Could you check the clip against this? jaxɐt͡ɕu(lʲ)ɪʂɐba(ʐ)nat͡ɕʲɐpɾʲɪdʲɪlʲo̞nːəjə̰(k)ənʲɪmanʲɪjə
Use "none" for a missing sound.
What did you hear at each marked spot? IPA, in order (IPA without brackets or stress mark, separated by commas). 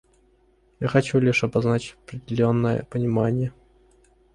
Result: lʲ, z, p